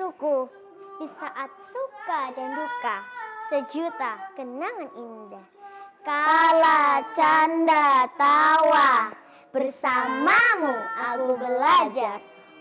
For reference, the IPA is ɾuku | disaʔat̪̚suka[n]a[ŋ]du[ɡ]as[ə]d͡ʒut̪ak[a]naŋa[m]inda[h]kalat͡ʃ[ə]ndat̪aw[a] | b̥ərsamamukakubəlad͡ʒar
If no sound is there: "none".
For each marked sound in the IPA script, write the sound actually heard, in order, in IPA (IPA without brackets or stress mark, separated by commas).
d, n, k, ə, ə, n, h, a, a